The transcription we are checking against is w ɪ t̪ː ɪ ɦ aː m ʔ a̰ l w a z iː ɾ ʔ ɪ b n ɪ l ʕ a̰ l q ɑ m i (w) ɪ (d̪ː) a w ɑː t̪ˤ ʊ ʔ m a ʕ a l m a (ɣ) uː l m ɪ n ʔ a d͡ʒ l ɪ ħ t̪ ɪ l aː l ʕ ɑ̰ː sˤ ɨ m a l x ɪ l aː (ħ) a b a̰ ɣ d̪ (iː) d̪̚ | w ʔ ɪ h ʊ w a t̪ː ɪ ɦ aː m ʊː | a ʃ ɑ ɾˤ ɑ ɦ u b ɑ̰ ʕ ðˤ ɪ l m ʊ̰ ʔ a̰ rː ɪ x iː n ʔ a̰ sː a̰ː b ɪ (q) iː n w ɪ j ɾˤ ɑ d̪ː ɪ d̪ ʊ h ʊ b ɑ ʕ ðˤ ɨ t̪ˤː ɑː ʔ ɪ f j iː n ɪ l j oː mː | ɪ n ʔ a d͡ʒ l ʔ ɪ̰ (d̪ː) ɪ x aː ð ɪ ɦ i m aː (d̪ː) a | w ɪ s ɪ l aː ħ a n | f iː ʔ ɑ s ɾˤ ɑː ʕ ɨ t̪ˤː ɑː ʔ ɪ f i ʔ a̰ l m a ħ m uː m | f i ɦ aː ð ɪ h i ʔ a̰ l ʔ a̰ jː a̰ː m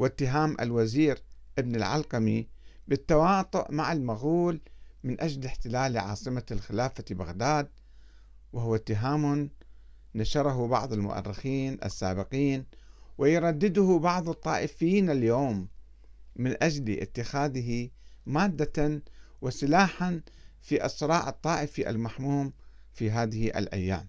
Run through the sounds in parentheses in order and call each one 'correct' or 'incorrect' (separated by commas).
incorrect, incorrect, correct, incorrect, incorrect, correct, incorrect, correct